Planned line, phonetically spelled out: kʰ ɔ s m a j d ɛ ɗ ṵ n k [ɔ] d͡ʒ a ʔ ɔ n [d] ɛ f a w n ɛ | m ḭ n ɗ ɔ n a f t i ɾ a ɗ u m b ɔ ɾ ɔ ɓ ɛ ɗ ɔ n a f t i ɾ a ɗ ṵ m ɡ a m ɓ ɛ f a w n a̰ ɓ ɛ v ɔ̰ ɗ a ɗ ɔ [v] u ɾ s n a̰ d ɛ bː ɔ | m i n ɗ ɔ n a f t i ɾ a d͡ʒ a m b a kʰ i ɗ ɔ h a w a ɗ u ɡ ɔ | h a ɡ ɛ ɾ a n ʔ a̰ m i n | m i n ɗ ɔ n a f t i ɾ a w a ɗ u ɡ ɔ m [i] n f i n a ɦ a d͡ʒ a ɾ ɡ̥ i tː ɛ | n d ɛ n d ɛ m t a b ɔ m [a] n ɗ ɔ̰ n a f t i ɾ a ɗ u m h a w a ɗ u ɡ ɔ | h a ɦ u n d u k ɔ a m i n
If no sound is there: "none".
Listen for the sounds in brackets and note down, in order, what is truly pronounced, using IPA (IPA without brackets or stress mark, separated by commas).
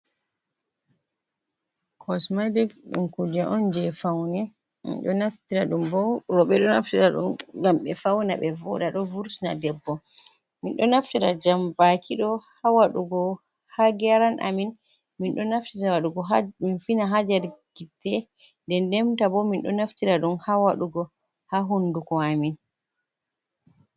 u, d͡ʒ, v, i, i